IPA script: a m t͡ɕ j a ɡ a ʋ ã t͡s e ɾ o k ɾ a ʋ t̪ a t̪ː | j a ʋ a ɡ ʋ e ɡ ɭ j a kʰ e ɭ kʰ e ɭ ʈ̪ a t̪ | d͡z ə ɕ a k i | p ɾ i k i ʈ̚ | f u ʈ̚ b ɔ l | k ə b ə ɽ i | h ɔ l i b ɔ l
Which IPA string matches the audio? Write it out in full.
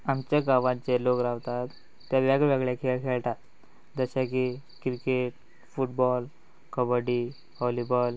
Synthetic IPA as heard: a m t͡ɕ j a ɡ a ʋ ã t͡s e l o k ɾ a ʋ t̪ a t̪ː | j a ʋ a ɡ ʋ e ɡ ɭ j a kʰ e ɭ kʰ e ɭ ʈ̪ a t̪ | d͡z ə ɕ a k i | k ɾ i k e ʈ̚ | f u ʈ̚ b ɔ l | k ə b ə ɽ i | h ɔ l i b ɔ l